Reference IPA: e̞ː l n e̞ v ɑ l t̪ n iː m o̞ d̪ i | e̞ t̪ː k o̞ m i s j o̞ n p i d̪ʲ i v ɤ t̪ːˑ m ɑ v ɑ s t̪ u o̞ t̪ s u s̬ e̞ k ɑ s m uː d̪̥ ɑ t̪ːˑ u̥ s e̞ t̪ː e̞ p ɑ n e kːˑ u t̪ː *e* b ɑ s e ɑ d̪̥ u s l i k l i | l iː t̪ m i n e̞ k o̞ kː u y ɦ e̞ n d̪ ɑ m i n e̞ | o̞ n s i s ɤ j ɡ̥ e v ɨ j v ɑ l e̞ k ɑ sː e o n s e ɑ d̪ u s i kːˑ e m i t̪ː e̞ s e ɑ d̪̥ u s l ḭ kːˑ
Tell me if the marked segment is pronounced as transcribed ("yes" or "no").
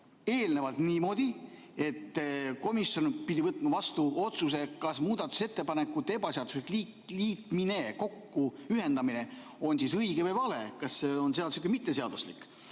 yes